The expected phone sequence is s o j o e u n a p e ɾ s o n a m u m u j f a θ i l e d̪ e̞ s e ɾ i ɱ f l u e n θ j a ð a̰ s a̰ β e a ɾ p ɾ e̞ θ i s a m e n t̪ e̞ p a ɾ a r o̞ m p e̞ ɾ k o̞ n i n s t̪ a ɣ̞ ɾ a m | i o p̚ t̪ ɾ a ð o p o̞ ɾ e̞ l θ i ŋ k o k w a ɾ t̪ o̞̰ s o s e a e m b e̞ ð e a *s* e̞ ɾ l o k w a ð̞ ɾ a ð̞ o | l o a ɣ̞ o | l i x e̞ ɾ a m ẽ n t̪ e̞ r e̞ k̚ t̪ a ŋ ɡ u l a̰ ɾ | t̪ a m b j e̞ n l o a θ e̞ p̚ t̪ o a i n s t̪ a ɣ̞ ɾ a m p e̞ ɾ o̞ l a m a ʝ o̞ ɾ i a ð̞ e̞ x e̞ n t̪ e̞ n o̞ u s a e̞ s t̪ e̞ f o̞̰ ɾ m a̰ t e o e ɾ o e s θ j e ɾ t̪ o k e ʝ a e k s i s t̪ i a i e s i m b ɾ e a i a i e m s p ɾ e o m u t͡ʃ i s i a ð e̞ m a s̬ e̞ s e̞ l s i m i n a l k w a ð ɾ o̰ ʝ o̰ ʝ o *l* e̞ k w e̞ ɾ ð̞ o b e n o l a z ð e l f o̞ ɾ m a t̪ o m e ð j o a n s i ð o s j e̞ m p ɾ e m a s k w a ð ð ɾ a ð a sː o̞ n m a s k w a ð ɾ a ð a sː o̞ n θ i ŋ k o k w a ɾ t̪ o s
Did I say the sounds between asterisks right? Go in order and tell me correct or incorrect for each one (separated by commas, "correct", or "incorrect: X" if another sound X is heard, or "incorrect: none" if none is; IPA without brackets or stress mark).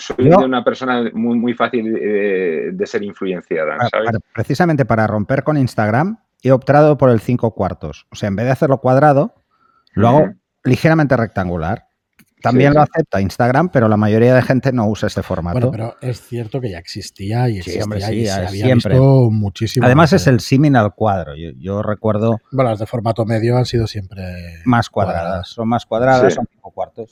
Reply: incorrect: θ, incorrect: r